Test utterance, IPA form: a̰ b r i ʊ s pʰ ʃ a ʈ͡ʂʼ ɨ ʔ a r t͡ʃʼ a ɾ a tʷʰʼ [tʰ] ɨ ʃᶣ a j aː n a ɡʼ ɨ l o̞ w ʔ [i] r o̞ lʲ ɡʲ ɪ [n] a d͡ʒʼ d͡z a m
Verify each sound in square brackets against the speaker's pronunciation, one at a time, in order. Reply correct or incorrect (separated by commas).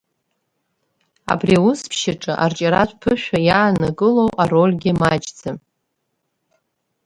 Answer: incorrect, incorrect, incorrect